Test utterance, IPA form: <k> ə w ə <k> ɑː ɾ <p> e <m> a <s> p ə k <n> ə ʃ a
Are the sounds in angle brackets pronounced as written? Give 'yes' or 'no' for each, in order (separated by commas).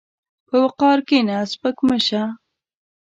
no, no, no, no, yes, no